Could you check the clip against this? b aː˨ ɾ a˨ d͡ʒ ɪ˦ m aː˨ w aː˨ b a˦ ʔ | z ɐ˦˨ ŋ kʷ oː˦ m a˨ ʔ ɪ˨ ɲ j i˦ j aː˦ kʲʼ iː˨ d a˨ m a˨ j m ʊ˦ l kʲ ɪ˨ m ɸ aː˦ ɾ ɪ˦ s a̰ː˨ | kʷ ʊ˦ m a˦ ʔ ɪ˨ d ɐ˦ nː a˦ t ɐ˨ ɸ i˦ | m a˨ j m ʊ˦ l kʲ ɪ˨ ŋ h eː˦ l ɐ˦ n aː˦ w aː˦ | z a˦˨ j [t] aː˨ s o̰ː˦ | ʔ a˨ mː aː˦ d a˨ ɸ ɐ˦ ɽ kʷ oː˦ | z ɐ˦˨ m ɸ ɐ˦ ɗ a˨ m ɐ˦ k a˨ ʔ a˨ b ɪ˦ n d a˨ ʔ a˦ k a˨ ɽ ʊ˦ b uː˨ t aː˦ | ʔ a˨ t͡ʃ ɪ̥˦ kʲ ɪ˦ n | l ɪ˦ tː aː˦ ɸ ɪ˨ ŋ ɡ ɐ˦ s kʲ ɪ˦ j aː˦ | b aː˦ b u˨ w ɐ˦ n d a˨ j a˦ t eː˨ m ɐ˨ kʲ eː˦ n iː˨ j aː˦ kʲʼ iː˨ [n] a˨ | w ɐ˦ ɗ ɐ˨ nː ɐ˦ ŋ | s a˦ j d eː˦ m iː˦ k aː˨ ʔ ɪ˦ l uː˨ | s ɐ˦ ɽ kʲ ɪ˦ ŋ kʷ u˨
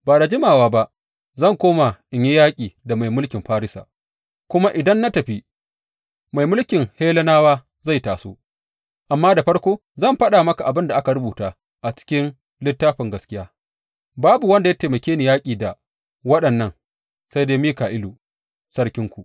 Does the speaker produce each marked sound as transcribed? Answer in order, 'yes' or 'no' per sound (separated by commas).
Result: yes, no